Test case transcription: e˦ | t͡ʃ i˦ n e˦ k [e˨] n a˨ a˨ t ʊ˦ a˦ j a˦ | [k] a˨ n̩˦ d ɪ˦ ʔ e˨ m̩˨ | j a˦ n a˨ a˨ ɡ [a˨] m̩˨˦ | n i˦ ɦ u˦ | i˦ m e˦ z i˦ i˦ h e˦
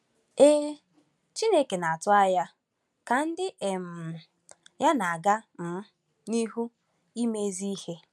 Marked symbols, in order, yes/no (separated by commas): yes, yes, no